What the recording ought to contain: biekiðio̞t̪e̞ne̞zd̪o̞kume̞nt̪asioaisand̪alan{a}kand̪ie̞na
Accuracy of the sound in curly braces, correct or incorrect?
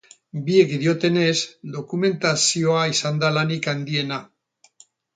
incorrect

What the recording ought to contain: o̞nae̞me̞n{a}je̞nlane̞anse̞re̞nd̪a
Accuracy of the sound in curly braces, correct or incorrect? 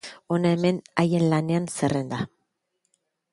correct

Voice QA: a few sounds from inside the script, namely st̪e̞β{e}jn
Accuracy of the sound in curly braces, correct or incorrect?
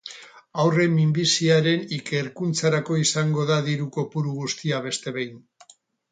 correct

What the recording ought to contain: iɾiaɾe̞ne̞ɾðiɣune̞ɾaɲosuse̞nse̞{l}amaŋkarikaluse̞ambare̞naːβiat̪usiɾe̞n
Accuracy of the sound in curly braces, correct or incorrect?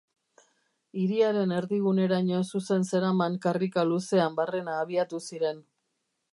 incorrect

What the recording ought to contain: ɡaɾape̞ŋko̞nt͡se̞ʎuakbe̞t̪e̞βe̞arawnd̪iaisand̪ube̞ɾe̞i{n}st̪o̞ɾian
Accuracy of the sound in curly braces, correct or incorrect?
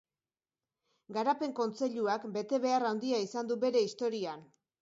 incorrect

